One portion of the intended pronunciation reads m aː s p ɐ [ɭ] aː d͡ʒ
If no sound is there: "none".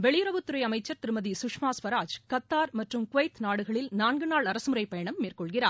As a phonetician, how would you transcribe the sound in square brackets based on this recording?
ɾ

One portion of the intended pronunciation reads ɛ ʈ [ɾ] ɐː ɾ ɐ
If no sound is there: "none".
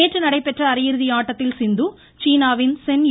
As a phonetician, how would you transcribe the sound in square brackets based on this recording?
r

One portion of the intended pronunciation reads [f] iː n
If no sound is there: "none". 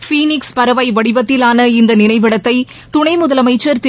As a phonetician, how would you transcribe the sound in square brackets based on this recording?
f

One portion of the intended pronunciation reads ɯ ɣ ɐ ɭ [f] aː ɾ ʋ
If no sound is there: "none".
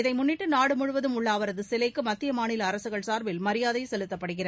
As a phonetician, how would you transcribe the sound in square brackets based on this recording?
s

